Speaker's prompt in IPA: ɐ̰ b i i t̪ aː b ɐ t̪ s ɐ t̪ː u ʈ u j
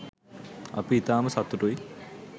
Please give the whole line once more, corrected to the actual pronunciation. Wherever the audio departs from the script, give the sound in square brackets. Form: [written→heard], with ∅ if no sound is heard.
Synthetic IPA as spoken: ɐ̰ [b→p] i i t̪ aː [b→m] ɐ [t̪→∅] s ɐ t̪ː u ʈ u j